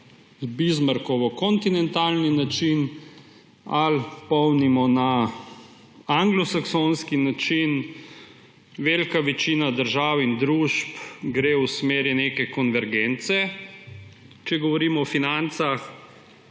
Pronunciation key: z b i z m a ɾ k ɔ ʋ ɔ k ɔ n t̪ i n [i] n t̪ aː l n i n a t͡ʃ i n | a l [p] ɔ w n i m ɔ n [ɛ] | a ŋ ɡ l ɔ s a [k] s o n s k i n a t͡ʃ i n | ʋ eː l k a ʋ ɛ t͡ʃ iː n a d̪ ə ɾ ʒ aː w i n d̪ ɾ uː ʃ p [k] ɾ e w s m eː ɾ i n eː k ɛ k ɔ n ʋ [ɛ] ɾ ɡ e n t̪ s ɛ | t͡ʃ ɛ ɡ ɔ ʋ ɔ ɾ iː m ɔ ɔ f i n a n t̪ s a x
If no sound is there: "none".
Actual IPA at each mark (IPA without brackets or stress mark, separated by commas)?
ɛ, p, a, k, ɡ, ɛ